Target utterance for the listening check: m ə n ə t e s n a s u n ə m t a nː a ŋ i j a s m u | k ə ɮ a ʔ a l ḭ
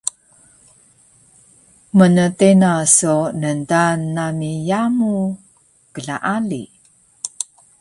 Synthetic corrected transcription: m ə n ə t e n a s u n ə n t a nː a m i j a m u | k ə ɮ a ʔ a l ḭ